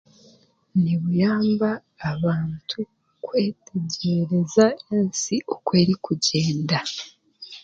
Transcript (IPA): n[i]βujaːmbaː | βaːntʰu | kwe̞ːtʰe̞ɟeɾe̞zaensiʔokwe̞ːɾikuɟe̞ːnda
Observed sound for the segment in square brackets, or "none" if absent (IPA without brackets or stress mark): i